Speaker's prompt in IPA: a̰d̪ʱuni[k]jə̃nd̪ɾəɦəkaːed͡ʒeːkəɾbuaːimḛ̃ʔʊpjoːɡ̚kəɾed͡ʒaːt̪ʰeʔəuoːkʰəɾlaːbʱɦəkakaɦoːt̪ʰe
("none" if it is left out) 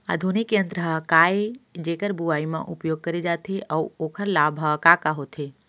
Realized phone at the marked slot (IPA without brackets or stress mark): k